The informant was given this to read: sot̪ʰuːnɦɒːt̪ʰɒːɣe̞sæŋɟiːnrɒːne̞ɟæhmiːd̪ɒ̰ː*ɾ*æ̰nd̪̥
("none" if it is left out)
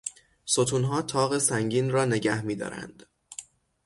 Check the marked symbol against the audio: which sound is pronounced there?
ɾ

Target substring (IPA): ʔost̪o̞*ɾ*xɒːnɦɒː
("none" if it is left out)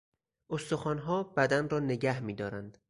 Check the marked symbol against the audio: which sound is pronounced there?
none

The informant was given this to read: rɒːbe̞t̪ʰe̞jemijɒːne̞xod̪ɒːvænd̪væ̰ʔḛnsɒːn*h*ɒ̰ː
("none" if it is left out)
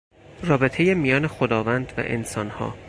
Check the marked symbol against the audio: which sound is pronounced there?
h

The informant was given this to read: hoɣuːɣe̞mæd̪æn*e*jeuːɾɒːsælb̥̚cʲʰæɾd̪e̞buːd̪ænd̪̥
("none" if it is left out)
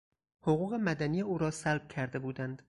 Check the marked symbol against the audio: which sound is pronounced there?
i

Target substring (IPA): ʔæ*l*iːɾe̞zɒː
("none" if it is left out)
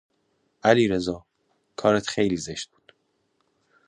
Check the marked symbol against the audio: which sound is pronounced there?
l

